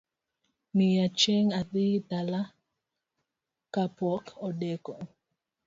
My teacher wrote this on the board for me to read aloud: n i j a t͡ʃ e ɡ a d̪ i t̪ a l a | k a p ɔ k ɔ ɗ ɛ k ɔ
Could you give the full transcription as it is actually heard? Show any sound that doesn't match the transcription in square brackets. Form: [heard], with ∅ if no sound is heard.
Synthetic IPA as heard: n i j a t͡ʃ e [ŋ] a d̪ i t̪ a l a | k a p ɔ k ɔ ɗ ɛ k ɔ